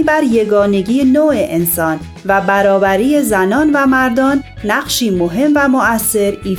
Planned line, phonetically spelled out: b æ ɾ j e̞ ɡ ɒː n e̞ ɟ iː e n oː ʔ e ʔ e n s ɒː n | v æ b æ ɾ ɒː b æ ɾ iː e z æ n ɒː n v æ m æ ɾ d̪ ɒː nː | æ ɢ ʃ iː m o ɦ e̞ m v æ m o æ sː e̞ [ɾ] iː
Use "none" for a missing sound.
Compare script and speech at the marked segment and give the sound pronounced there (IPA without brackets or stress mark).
ɾ